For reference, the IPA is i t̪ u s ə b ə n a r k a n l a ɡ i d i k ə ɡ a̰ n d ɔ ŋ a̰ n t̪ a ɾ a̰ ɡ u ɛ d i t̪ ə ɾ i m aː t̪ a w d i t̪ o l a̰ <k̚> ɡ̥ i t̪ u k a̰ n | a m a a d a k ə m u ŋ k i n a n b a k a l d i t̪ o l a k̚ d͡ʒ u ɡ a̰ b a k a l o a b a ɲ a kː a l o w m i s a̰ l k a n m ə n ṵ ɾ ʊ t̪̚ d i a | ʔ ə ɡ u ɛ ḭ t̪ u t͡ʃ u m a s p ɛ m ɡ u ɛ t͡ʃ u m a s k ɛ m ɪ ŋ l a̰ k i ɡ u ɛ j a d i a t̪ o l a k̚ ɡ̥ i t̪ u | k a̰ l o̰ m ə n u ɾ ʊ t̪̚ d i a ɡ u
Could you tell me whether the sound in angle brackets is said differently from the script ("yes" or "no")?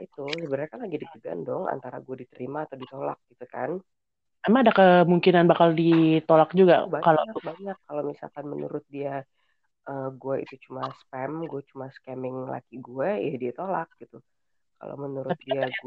no